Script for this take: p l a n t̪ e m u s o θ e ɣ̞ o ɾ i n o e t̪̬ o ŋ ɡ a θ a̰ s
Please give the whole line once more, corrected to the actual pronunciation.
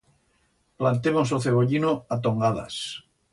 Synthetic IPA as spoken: p l a n t̪ e m o s o θ e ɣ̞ o ʎ i n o a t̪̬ o ŋ ɡ a ð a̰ s